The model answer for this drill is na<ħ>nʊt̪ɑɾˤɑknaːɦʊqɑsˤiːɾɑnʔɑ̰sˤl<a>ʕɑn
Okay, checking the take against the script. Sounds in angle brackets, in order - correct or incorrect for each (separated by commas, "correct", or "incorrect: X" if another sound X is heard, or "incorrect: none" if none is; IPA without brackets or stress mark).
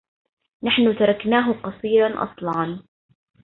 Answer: correct, incorrect: ɑ